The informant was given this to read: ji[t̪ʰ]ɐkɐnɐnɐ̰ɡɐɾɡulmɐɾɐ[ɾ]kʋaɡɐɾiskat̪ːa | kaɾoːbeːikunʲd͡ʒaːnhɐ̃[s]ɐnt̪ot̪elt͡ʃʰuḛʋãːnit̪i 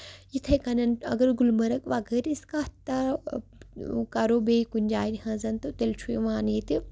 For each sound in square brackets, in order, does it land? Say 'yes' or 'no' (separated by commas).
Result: yes, no, no